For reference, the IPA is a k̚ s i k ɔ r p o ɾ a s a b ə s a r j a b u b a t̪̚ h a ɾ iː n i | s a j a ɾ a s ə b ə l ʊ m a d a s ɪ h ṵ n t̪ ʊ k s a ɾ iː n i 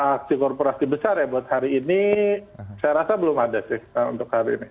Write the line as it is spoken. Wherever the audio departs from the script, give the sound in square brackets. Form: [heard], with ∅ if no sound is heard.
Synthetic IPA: a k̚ s i k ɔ r p o ɾ a s [i] b ə s a r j a b u [∅] a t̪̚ h a ɾ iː n i | s a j a ɾ a s [a] b ə l ʊ m a d a s ɪ h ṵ n t̪ ʊ k [h] a ɾ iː n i